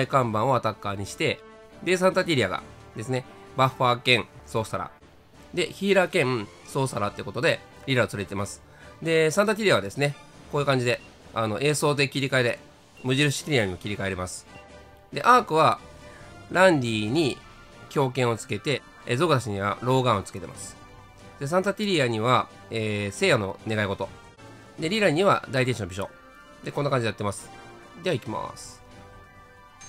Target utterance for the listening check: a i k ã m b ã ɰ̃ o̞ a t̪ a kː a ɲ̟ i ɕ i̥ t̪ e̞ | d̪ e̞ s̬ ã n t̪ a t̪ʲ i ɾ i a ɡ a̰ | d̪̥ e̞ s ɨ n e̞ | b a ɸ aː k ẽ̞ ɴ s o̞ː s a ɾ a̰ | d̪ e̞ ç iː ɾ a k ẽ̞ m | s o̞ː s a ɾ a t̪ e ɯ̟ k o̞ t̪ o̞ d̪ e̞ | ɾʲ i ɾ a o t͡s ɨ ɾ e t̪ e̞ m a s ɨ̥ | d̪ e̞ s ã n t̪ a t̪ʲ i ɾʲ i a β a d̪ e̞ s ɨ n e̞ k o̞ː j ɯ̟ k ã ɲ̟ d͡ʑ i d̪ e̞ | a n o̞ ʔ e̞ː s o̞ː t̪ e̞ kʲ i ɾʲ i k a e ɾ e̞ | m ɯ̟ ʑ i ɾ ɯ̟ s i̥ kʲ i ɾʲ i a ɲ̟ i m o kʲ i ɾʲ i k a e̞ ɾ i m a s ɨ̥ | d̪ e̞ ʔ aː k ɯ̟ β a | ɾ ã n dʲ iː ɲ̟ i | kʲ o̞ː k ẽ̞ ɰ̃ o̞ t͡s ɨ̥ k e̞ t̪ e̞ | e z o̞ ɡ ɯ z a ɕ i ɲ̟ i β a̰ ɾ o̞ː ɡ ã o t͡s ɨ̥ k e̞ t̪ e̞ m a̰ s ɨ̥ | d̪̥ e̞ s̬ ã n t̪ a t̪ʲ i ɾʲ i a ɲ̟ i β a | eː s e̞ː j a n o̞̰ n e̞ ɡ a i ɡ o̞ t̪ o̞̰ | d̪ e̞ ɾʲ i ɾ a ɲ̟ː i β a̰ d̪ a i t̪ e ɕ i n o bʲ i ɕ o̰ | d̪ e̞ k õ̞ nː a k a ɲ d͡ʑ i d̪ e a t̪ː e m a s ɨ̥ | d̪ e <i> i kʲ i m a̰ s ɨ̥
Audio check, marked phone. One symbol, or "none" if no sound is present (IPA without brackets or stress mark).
a